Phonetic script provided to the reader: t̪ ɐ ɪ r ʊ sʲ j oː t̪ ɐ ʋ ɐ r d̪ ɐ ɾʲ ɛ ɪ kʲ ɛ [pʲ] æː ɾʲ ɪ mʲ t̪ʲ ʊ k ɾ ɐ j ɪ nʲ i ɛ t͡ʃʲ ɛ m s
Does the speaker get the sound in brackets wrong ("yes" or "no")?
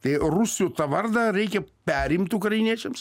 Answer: no